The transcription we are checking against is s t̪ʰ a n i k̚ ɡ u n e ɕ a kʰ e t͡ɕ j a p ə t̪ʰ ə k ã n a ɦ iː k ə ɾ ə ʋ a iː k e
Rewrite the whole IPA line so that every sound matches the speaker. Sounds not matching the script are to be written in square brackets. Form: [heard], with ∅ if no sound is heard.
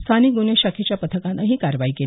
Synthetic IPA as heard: s t̪ʰ a n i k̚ ɡ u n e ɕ a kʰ e t͡ɕ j a p ə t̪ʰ ə k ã n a ɦ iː k [a] ɾ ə ʋ a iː k e